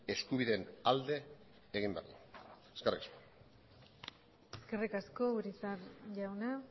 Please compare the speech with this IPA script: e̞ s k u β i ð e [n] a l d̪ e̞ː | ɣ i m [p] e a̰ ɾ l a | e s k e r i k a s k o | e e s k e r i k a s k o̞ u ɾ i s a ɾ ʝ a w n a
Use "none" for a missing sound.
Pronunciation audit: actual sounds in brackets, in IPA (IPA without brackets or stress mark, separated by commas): n, b